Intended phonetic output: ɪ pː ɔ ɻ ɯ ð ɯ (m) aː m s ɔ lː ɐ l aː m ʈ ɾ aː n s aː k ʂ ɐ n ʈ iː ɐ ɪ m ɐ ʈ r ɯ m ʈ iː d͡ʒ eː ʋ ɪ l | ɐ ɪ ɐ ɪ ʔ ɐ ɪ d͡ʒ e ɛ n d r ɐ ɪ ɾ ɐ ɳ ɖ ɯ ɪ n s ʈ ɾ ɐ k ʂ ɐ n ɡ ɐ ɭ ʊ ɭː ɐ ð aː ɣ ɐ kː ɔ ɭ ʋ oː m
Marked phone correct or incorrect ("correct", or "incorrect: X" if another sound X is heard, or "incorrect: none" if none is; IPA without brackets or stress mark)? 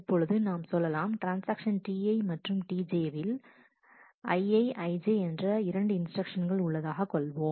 incorrect: n